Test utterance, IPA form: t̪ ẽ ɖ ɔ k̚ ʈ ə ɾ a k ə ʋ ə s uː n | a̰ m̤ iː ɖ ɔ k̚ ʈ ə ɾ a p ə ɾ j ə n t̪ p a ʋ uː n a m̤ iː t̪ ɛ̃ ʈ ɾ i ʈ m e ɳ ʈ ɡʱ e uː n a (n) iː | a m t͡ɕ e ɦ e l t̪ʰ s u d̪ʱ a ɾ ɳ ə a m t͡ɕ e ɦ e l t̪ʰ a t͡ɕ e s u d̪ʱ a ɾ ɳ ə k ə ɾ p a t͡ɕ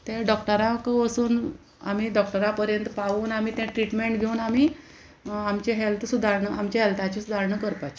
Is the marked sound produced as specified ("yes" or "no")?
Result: no